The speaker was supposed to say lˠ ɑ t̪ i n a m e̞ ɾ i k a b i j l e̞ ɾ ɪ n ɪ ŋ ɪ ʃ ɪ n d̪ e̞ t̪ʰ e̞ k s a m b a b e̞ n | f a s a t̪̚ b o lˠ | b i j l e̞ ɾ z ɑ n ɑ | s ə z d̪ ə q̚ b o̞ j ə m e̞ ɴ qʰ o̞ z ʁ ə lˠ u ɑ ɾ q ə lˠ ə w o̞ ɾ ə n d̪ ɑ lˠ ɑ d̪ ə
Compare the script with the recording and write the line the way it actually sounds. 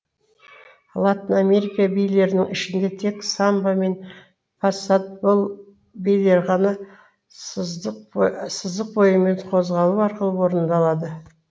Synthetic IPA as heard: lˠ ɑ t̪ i n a m e̞ ɾ i k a b i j l e̞ ɾ ɪ n ɪ ŋ ɪ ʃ ɪ n d̪ e̞ t̪ʰ e̞ k s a m b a m e̞ n | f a s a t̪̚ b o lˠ | b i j l e̞ ɾ ʁ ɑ n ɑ | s ə z d̪ ə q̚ b o̞ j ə m e̞ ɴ qʰ o̞ z ʁ ɑ lˠ u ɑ ɾ q ə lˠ ə w o̞ ɾ ə n d̪ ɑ lˠ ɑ d̪ ə